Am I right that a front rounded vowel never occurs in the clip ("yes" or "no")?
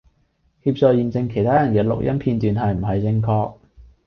no